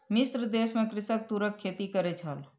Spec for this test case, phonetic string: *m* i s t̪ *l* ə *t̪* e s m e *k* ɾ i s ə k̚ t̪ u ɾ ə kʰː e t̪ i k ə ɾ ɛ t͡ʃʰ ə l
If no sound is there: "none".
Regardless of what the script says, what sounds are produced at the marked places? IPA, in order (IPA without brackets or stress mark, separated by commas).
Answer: m, ɾ, d̪, k